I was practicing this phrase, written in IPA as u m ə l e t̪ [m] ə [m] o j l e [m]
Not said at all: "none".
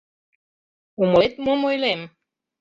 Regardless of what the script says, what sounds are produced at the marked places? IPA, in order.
m, m, m

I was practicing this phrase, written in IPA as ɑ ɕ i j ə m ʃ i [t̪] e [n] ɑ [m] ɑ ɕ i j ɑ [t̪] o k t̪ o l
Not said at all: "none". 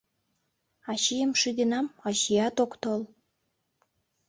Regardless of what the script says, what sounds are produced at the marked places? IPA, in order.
d̪, n, m, t̪

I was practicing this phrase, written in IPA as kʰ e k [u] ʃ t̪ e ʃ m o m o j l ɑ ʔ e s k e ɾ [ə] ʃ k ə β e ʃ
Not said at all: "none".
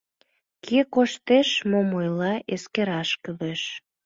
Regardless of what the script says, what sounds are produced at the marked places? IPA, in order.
o, ɑ

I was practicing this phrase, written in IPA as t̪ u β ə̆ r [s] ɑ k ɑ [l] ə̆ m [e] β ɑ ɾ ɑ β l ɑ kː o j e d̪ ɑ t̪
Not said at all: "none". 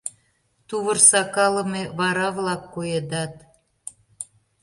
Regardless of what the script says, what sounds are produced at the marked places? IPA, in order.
s, l, e

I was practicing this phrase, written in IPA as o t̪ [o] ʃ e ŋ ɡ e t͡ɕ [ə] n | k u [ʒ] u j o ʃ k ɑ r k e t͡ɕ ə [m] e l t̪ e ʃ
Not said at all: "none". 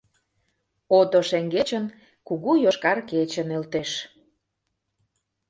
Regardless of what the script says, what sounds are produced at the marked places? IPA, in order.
o, ə, ɣ, n

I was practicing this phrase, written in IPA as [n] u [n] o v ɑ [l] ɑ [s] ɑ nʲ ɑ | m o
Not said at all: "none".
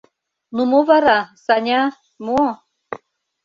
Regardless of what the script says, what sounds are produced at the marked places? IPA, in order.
n, m, ɾ, s

